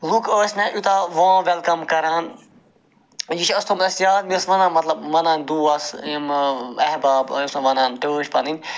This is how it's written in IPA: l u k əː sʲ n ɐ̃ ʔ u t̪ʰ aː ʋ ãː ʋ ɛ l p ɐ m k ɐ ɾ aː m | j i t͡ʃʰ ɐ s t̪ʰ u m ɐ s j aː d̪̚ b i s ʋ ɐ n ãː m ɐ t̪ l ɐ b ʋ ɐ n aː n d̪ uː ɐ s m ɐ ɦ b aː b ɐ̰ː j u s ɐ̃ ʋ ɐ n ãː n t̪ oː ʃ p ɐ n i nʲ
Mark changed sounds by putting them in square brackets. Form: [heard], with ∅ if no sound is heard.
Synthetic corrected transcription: l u k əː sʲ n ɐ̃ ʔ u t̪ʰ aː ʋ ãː ʋ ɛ l [k] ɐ m k ɐ ɾ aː [n] | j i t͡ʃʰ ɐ s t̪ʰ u m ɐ s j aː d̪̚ [m] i s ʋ ɐ n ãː m ɐ t̪ l ɐ b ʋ ɐ n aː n d̪ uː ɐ s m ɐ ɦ b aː b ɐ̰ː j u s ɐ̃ ʋ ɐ n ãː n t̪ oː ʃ p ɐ n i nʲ